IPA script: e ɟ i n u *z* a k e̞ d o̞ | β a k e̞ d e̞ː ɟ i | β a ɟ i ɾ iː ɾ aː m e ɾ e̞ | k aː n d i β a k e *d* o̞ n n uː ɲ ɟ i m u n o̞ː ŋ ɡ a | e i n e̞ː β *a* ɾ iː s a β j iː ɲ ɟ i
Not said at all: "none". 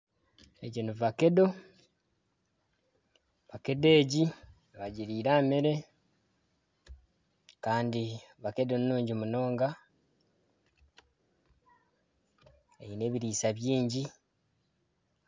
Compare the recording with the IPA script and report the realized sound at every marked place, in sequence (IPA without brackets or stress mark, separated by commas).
v, d, i